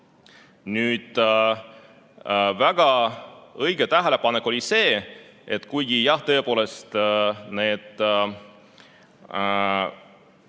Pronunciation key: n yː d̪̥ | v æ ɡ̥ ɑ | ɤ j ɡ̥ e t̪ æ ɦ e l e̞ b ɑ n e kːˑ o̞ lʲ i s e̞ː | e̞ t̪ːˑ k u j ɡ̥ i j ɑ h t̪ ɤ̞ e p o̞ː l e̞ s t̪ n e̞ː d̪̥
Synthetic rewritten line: n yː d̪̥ | v æ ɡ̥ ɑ | ɤ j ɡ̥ e t̪ æ ɦ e l e̞ p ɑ n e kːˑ o̞ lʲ i s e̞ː | e̞ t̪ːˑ k u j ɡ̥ i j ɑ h t̪ ɤ̞ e p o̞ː l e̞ s t̪ n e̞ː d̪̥

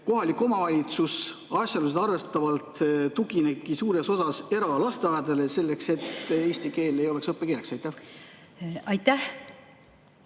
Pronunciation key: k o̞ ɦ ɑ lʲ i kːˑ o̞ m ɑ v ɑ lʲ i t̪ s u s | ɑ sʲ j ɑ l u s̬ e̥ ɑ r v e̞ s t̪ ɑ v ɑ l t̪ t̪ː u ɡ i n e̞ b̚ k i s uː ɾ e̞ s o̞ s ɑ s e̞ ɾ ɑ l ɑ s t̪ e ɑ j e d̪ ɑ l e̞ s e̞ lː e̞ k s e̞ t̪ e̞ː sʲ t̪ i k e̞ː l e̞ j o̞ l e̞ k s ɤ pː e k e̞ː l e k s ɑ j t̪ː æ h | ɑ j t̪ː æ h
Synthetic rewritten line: k o̞ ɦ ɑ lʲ i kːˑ o̞ m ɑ v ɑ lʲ i t̪ s u s | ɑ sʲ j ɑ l u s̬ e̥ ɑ r v e̞ s t̪ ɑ v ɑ l t̪ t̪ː u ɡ i n e̞ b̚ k i s uː ɾ e̞ s o̞ s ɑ s e̞ ɾ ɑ l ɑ s t̪ e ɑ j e d̪ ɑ l e̞ s e̞ lː e̞ k s e̞ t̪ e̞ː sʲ t̪ i k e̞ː l e̞ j o̞ l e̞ k s ɤ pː e k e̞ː l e k s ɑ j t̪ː æ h | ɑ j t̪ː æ h

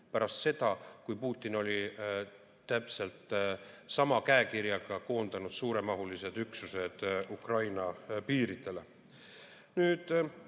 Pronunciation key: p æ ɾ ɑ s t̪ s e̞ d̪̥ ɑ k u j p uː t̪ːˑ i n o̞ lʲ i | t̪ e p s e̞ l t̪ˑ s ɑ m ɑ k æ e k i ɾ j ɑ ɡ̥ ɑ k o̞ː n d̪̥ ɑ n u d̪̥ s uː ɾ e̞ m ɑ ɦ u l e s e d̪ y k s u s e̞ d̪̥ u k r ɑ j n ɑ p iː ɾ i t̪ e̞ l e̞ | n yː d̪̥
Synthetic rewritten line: p æ ɾ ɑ s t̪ s e̞ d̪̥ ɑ k u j p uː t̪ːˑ i n o̞ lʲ i | t̪ æ p s e̞ l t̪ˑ s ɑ m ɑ k æ e k i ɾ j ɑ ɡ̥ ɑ k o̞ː n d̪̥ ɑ n u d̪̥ s uː ɾ e̞ m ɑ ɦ u l i s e d̪ y k s u s e̞ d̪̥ u k r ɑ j n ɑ p iː ɾ i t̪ e̞ l e̞ | n yː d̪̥

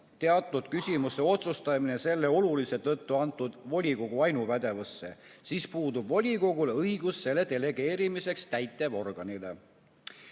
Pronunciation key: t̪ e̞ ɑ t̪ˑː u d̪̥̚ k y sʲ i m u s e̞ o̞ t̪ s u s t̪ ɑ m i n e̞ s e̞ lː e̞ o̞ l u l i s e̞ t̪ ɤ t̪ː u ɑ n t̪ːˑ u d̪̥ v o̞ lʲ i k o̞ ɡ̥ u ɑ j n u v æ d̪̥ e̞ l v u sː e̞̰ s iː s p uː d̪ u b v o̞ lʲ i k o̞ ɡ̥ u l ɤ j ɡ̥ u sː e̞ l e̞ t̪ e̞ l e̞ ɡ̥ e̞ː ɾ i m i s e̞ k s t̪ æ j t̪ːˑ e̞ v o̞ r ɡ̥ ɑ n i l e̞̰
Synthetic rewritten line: t̪ e̞ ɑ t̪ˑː u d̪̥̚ k y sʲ i m u s e̞ o̞ t̪ s u s t̪ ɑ m i n e̞ s e̞ lː e̞ o̞ l u l i s e̞ t̪ ɤ t̪ː u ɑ n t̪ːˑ u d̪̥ v o̞ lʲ i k o̞ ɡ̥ u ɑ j n u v æ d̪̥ e̞ v u sː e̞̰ s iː s p uː d̪ u b v o̞ lʲ i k o̞ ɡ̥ u l ɤ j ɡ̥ u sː e̞ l e̞ t̪ e̞ l e̞ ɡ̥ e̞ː ɾ i m i s e̞ k s t̪ æ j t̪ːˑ e̞ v o̞ r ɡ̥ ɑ n i l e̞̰

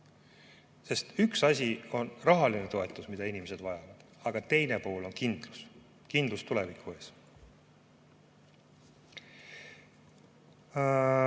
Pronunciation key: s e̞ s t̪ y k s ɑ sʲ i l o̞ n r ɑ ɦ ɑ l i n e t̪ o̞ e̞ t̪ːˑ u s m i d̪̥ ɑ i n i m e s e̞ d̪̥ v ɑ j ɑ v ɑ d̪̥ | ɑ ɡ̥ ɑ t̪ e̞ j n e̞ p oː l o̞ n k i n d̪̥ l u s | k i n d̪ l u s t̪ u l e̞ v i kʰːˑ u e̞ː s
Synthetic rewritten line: s e̞ s t̪ y k s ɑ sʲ i o̞ n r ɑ ɦ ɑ l i n e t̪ o̞ e̞ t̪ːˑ u s m i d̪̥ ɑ i n i m e s e̞ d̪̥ v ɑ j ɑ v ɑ d̪̥ | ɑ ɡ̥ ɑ t̪ e̞ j n e̞ p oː l o̞ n k i n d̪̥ l u s | k i n d̪ l u s t̪ u l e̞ v i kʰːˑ u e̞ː s

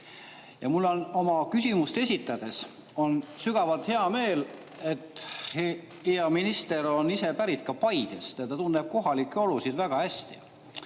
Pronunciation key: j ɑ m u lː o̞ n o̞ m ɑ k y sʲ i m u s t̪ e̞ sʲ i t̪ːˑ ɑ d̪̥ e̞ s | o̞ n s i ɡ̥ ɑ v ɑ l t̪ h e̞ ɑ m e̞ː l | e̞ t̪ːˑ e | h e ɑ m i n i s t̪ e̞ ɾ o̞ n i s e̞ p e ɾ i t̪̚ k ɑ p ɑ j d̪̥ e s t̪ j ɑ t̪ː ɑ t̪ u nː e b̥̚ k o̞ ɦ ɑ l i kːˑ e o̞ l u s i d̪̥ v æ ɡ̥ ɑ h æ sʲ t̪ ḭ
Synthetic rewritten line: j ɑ m u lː o̞ n o̞ m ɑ k y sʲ i m u s t̪ e̞ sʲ i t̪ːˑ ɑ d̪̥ e̞ s | o̞ n s y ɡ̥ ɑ v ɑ l t̪ h e̞ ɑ m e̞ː l | e̞ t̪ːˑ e | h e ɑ m i n i s t̪ e̞ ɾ o̞ n i s e̞ p æ ɾ i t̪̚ k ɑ p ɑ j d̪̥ e s t̪ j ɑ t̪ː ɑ t̪ u nː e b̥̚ k o̞ ɦ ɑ l i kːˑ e o̞ l u s i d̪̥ v æ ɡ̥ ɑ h æ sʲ t̪ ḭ

